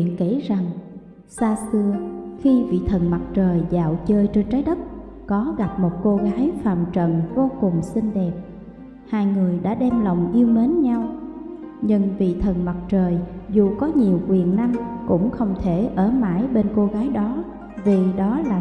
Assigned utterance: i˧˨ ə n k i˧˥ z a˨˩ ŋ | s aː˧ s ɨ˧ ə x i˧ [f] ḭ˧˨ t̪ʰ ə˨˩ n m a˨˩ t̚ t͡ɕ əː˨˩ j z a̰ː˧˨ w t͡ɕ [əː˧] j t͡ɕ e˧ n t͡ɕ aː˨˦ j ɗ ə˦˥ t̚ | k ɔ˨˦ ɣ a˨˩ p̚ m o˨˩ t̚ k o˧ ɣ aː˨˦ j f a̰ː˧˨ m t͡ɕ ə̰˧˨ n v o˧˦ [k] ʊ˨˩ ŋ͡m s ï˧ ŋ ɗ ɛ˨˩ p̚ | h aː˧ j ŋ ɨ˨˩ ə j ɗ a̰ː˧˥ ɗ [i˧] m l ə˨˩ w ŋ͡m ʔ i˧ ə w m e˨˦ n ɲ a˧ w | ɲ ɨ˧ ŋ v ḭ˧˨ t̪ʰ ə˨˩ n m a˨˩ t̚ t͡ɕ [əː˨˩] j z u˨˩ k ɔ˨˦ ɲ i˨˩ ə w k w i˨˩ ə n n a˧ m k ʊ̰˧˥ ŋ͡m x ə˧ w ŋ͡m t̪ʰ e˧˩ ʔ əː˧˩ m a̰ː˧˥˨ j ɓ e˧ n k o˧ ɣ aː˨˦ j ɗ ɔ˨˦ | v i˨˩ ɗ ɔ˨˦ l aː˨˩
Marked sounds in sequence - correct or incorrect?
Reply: incorrect: v, correct, correct, incorrect: ɛ˧, correct

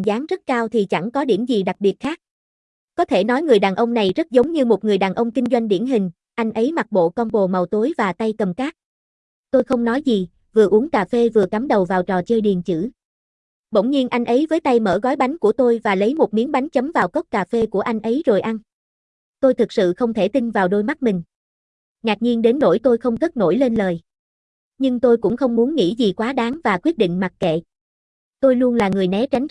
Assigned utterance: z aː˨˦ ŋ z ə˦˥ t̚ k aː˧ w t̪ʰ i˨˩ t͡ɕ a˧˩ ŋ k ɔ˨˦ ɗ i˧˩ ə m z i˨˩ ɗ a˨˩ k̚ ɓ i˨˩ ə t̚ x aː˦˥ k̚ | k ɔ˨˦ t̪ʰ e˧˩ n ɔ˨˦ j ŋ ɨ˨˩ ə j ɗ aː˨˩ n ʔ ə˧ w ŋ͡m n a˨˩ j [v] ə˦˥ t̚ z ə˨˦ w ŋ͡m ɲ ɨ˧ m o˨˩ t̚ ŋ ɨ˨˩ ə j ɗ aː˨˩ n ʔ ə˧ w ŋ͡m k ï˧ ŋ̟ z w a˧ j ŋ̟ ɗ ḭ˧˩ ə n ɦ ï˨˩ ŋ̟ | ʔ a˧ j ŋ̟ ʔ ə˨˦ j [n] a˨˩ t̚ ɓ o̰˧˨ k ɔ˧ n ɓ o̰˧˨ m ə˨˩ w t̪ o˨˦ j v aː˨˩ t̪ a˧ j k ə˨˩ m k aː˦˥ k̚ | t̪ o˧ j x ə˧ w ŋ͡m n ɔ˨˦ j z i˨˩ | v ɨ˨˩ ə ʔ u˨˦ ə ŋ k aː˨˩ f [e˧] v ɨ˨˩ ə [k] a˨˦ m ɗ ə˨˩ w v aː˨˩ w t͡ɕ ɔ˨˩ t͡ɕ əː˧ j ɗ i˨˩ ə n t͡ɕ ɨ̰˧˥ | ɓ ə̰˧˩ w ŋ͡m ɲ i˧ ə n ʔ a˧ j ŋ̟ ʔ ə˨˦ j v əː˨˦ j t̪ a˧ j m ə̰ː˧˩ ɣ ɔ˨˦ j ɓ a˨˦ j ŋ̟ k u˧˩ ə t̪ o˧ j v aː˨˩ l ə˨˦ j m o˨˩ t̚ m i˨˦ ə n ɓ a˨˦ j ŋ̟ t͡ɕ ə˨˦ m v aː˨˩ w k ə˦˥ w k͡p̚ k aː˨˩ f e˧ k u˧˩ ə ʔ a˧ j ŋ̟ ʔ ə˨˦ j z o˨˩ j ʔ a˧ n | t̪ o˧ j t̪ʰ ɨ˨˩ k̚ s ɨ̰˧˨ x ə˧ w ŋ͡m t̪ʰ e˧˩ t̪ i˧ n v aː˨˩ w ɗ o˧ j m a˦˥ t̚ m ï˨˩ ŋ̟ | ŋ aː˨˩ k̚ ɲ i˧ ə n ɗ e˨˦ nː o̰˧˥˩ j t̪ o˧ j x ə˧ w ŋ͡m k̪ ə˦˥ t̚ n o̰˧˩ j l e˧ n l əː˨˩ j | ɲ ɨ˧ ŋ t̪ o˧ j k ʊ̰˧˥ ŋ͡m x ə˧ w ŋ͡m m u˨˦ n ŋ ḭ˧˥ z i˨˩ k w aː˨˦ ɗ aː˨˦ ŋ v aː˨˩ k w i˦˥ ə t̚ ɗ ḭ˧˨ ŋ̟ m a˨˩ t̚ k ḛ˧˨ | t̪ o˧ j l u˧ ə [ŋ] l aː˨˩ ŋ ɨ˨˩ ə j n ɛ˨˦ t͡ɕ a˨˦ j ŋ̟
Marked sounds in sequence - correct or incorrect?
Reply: incorrect: z, incorrect: m, correct, correct, incorrect: n

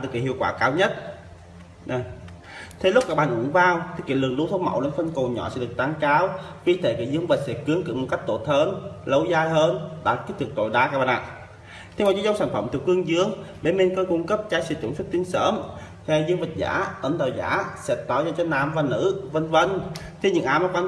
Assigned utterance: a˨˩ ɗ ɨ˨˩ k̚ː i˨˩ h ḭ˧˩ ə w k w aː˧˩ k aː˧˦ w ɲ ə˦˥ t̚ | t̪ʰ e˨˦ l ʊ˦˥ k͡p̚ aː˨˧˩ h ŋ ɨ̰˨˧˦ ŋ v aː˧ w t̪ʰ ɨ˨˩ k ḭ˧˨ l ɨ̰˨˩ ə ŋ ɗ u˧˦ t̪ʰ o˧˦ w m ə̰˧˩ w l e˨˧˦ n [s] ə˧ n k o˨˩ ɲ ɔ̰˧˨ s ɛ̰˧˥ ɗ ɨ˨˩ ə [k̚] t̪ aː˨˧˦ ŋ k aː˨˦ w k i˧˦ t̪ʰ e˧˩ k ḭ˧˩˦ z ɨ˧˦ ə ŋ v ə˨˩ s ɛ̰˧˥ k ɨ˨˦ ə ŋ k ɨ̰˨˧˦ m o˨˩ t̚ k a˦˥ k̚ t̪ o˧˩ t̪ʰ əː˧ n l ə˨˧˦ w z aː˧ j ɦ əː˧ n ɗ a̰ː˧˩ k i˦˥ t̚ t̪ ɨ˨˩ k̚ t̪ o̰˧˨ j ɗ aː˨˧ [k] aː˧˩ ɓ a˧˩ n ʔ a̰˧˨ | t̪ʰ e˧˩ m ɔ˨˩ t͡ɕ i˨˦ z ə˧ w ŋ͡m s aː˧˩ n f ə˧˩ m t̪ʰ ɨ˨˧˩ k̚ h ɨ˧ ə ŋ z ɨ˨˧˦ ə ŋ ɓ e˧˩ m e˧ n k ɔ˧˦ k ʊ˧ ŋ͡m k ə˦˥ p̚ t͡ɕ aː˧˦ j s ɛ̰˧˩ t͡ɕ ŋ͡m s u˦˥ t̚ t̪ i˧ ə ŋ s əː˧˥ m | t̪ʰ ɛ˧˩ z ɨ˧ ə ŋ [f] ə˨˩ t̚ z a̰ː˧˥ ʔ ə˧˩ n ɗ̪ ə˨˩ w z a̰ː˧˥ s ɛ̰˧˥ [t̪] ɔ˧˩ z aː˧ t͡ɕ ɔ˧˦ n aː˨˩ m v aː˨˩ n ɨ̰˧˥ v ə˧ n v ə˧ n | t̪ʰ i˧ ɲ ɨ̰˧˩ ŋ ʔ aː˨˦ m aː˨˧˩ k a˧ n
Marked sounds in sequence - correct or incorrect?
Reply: incorrect: f, correct, correct, incorrect: v, correct

